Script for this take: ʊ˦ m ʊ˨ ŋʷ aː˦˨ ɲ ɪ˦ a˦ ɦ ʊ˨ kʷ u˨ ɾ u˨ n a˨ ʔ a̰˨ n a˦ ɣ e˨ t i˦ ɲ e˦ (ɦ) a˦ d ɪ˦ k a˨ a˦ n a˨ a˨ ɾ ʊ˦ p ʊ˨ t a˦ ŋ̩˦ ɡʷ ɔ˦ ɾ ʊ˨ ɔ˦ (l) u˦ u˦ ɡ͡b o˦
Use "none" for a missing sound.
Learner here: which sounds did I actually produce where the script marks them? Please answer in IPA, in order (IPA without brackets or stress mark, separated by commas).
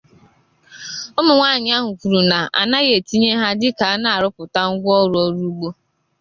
ɦ, ɾ